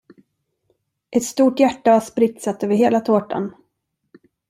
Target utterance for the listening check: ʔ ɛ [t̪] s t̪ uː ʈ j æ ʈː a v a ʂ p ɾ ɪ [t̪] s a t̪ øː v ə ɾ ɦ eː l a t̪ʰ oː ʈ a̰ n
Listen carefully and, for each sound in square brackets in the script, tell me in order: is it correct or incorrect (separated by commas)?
correct, correct